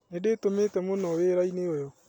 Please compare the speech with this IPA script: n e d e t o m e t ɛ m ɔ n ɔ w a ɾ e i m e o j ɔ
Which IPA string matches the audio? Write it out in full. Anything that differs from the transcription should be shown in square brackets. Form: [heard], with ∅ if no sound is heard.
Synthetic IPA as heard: n e d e t o m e t ɛ m [o] n ɔ w [e] ɾ [a] i [n] e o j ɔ

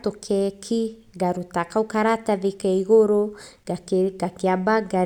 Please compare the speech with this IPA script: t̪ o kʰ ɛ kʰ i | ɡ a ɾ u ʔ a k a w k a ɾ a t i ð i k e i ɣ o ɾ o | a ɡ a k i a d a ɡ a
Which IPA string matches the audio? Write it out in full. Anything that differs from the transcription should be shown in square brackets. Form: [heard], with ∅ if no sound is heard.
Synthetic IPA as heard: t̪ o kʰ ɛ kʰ i | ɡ a ɾ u [t] a k a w k a ɾ a t [a] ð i k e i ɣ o ɾ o | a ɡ a k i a [b] a ɡ a

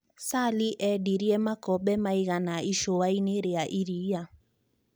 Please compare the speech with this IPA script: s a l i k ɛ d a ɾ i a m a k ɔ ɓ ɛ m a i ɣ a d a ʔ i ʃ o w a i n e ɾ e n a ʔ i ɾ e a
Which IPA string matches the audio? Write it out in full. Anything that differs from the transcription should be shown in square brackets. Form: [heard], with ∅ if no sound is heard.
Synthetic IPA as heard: s a l i [ʔ] ɛ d [i] ɾ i [ɛ] m a k ɔ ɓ ɛ m a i ɣ a [n] a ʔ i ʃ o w a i n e ɾ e [∅] a ʔ i ɾ [i] a

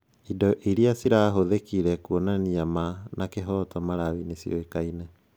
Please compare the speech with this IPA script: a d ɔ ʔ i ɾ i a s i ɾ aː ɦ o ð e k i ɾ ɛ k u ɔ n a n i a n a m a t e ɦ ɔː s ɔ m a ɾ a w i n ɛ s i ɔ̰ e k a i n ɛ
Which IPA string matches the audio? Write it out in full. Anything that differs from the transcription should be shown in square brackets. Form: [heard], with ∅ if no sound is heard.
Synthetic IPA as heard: [i] d ɔ ʔ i ɾ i a s i ɾ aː ɦ o ð e k i ɾ ɛ k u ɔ n a n i a [m] a [n] a [k] e ɦ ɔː [t] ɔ m a ɾ a w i n [e] s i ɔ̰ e k a i n ɛ

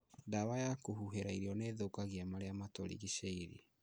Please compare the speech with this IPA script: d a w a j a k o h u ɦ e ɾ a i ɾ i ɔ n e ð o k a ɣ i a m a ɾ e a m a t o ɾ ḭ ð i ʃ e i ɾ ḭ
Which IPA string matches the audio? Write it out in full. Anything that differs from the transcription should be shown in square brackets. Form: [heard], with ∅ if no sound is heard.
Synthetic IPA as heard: d a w a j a k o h u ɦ e ɾ a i ɾ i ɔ n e ð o k a ɣ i a m a ɾ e a m a t o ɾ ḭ [ɣ] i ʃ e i ɾ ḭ

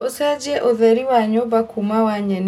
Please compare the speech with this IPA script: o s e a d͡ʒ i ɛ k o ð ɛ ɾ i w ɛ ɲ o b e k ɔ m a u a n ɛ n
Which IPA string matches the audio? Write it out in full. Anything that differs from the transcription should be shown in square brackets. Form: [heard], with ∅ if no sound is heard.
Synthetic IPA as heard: o s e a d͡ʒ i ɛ [ʔ] o ð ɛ ɾ i w [a] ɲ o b [a] k [u] m a [w] a [ɲ] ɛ n

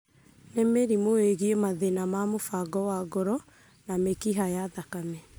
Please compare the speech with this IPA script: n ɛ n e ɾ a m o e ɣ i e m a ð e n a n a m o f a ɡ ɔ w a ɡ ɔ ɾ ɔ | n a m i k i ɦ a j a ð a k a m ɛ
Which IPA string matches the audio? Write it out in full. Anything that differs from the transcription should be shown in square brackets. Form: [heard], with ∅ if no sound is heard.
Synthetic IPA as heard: n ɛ [m] e ɾ [i] m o e ɣ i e m a ð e n a [m] a m o f a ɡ ɔ w a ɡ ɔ ɾ ɔ | n a m [e] k i ɦ a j a ð a k a m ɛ

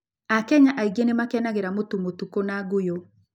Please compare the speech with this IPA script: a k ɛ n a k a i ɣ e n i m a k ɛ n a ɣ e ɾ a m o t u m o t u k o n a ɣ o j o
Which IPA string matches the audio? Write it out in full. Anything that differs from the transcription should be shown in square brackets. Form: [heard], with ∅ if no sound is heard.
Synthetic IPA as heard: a k ɛ [ɲ] a [ʔ] a i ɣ e n [e] m a k ɛ n a ɣ e ɾ a m o t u m o t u k o n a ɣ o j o

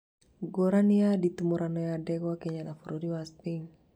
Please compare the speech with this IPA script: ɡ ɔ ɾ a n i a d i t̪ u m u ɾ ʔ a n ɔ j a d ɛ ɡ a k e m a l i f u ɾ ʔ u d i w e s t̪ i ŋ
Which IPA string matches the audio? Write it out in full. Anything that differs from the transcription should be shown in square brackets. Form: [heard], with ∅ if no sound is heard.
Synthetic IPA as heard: ɡ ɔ ɾ a n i a d i t̪ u m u ɾ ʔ a n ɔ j a d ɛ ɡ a k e [ɲ] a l [a] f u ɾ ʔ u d i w [a] s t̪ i ŋ

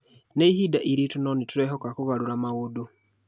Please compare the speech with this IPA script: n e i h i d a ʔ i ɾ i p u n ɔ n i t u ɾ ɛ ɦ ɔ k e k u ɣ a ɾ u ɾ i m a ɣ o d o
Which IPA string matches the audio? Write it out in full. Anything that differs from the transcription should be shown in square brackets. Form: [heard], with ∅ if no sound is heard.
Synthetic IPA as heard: n e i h i d a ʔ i ɾ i [t] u n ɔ n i t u ɾ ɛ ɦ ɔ k [a] k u ɣ a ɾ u ɾ [a] m a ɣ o d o

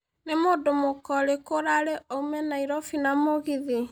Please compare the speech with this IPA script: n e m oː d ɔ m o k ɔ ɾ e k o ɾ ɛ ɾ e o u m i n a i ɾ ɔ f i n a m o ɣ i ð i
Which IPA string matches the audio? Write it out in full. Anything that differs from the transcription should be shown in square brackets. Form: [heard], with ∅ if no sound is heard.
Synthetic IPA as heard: n e m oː d [o] m o k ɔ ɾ e k o ɾ [a] ɾ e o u m [ɛ] n a i ɾ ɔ f i n a m o ɣ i ð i

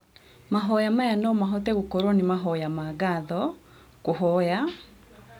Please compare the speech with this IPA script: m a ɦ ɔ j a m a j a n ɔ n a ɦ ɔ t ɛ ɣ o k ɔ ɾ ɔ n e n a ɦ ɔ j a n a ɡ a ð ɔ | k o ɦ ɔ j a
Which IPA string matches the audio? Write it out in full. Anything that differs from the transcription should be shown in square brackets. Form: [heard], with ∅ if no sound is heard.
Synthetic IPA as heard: m a ɦ ɔ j a m a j a n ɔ [m] a ɦ ɔ t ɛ ɣ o k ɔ ɾ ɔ n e [m] a ɦ ɔ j a [m] a ɡ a ð ɔ | k o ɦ ɔ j a

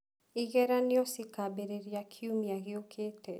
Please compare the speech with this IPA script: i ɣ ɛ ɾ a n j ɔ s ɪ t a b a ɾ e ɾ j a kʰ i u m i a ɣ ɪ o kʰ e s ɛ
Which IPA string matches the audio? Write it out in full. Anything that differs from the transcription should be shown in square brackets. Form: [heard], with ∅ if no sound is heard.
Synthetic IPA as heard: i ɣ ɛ ɾ a n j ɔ s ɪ [k] a b [e] ɾ e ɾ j a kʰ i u m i a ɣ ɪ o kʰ e [t] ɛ

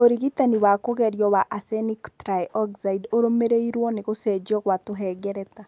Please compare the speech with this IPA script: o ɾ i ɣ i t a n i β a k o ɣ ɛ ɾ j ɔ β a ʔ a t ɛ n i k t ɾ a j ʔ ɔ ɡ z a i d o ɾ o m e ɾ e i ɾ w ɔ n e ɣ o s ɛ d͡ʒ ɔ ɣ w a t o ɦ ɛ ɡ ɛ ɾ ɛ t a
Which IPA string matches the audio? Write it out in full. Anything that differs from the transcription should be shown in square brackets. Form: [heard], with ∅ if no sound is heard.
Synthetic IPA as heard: o ɾ i ɣ i t a n i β a k o ɣ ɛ ɾ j ɔ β a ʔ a [s] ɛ n i k t ɾ a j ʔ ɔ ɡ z a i d o ɾ o m e ɾ e i ɾ w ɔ n e ɣ o s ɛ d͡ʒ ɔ ɣ w a t o ɦ ɛ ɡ ɛ ɾ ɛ t a

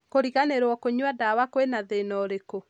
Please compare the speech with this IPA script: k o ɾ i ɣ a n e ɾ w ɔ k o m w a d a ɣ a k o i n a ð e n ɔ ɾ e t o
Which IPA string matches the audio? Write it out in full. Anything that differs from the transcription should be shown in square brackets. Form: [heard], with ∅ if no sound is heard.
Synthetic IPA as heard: k o ɾ i ɣ a n e ɾ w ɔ k o [ɲ] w a d a [w] a k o [e] n a ð e n ɔ ɾ e [k] o

